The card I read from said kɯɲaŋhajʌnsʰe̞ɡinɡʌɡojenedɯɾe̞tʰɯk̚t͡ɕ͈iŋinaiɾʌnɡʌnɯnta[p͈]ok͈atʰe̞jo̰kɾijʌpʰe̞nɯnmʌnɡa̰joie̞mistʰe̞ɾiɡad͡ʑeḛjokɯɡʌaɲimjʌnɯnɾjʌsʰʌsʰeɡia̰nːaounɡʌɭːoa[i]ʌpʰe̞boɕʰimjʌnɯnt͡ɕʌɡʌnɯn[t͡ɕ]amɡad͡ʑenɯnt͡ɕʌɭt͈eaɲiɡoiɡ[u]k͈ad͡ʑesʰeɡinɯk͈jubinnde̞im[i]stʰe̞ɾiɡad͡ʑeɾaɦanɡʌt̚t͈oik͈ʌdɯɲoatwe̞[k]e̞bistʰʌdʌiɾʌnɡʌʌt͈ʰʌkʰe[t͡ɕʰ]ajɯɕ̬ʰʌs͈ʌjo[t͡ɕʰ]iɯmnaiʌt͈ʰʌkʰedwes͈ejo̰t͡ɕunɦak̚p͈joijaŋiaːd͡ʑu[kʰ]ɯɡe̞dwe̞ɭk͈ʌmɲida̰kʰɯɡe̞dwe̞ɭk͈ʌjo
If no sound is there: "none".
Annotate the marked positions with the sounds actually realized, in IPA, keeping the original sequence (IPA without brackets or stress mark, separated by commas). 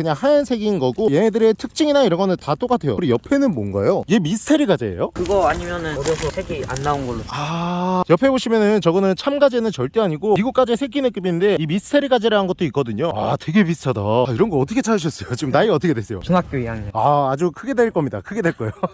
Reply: t͈, j, t͡ɕʰ, u, i, ɡ, t͡ɕʰ, t͡ɕ, kʰ